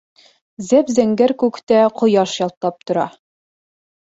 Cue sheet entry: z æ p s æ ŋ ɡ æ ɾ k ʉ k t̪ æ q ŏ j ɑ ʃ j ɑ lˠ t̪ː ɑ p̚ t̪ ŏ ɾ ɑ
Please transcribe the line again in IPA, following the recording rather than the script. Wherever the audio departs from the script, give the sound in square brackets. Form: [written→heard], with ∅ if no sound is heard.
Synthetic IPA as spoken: z æ p [s→z] æ ŋ ɡ æ ɾ k ʉ k t̪ æ q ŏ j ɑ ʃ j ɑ lˠ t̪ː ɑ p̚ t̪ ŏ ɾ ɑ